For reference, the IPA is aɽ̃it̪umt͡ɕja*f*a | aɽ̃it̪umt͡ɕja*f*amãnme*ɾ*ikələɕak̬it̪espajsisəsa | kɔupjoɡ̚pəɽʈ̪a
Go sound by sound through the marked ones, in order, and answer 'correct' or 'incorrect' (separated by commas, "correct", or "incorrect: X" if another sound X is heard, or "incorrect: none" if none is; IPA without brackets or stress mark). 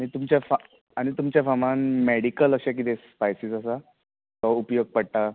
correct, correct, incorrect: ɽ